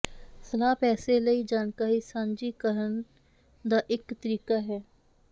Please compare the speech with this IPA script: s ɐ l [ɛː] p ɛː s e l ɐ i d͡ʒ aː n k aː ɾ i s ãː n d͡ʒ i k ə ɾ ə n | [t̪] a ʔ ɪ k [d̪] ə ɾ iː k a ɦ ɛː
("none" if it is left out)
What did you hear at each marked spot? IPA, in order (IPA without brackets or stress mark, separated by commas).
aː, d̪, t̪